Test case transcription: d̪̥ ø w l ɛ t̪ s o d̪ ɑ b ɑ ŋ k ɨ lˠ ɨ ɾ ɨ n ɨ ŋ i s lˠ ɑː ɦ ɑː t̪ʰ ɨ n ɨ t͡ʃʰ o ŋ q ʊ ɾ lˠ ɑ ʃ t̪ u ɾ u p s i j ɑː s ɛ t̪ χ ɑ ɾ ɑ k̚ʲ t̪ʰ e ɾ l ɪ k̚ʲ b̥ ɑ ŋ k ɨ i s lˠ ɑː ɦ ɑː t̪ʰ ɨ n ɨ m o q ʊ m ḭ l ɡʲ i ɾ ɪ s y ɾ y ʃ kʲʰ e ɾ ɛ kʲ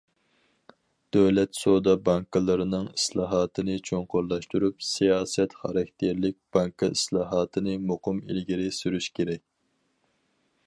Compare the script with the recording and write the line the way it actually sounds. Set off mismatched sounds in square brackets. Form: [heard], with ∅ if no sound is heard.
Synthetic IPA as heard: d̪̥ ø w l ɛ t̪ s o d̪ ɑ b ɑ ŋ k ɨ lˠ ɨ ɾ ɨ n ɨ ŋ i s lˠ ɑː ɦ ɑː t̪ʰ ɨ n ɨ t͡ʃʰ o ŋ q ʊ ɾ lˠ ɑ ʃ t̪ u ɾ u p s i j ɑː s ɛ t̪ χ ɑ ɾ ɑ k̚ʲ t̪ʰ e ɾ l ɪ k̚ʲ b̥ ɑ ŋ k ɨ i s lˠ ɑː ɦ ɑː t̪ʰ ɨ n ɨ m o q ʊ m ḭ l ɡʲ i ɾ ɪ s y ɾ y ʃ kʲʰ e ɾ ɛ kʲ